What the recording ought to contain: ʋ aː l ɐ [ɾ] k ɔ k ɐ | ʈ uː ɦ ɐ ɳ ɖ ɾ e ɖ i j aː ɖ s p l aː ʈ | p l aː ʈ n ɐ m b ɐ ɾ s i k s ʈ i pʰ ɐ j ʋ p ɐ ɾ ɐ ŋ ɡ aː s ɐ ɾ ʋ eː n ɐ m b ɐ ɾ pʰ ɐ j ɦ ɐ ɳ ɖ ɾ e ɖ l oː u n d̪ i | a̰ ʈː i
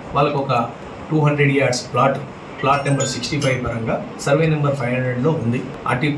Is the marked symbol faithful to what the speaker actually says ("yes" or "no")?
no